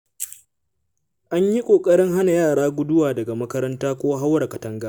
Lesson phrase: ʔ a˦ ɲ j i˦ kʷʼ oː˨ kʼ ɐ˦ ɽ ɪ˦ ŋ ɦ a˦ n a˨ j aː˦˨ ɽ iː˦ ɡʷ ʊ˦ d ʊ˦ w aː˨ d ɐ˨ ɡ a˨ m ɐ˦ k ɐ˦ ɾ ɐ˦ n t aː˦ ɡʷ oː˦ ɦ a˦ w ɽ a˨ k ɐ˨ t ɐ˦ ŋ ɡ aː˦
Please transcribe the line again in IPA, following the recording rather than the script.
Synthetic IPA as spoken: ʔ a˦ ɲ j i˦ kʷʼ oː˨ kʼ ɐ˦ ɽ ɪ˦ ŋ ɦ a˦ n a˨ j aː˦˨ ɽ aː˦ ɡʷ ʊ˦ d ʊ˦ w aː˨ d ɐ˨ ɡ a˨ m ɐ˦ k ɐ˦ ɾ ɐ˦ n t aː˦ kʷ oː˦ ɦ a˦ w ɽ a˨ k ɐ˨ t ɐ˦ ŋ ɡ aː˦

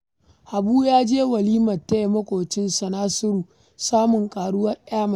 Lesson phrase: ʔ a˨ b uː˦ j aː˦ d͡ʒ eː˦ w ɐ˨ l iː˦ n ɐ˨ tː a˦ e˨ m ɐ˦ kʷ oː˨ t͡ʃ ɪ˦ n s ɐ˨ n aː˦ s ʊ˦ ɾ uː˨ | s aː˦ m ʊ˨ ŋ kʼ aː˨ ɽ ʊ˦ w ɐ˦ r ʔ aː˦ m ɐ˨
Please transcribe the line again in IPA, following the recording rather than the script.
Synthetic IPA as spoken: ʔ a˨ b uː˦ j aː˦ d͡ʒ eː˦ w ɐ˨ l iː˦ m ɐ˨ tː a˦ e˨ m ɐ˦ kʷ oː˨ t͡ʃ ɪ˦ n s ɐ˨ n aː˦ s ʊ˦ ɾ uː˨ | s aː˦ m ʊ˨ ŋ kʼ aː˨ ɽ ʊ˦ w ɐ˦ r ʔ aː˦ m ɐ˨

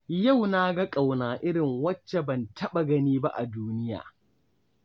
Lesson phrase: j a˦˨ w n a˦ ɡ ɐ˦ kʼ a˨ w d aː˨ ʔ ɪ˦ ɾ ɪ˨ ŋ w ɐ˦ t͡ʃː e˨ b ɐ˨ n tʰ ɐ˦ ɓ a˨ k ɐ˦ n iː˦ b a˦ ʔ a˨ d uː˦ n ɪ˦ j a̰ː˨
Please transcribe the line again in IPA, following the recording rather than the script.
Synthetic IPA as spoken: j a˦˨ w n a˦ ɡ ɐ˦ kʼ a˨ w n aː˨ ʔ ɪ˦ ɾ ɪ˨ ŋ w ɐ˦ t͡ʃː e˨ b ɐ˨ n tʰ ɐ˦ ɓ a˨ ɡ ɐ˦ n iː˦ b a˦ ʔ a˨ d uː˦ n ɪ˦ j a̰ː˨

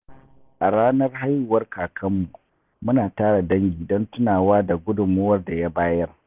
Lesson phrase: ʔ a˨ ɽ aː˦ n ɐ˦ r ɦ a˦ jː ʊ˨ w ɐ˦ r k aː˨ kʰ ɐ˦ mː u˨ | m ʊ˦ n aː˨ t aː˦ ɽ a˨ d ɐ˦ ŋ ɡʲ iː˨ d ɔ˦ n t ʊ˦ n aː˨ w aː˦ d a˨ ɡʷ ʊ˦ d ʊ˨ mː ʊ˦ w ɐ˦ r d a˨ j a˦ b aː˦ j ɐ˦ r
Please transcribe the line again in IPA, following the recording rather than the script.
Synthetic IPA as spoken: ʔ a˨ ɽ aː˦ n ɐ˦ r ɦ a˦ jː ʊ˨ w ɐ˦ r k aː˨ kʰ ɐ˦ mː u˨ | m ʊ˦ n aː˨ t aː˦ ɽ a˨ d ɐ˦ ŋ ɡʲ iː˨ d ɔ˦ n t ʊ˦ n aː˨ w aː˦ d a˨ ɡʷ ʊ˦ d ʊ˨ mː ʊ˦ w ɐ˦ r d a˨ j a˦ b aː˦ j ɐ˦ r

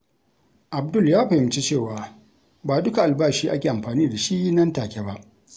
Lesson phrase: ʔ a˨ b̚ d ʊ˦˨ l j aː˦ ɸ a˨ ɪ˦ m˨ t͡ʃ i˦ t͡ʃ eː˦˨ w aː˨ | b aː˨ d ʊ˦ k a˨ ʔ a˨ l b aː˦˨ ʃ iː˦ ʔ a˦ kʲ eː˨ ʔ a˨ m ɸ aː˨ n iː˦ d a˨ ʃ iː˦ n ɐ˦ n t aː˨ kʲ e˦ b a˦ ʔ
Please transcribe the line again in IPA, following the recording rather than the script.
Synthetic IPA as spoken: ʔ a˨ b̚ d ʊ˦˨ l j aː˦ ɸ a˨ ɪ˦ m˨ t͡ʃ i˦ t͡ʃ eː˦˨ w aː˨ | b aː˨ d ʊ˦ k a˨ ʔ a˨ l b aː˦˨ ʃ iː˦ ʔ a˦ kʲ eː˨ ʔ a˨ m ɸ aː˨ n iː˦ d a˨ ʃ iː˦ n ɐ˦ n t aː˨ kʲ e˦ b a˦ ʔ

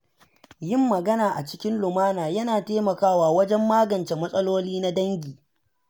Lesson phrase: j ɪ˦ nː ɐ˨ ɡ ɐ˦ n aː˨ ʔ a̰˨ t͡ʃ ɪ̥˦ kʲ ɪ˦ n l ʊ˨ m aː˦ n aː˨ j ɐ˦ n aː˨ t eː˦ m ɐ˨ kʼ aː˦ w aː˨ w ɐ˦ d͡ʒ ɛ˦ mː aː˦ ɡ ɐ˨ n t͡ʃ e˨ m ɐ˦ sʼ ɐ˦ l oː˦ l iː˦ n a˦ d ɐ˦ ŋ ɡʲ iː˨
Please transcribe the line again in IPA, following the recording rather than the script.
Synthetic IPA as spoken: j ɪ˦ mː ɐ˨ ɡ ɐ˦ n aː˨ ʔ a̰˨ t͡ʃ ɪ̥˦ kʲ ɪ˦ n l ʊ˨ m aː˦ n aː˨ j ɐ˦ n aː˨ t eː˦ m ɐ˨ k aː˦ w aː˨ w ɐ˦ d͡ʒ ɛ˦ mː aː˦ ɡ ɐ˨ n t͡ʃ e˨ m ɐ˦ sʼ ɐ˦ l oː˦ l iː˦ n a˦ d ɐ˦ ŋ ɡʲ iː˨

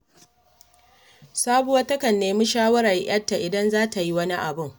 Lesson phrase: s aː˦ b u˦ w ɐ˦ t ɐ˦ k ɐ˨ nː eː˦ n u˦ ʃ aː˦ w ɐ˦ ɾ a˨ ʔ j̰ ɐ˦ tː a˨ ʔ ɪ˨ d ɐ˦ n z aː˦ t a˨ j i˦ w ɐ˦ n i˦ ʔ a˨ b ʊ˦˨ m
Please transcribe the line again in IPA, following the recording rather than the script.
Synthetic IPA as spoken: s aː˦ b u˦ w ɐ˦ t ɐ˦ k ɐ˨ nː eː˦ m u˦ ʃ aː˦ w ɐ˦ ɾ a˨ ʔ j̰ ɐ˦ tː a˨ ʔ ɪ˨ d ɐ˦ n z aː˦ t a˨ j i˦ w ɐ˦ n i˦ ʔ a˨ b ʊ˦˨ ŋ

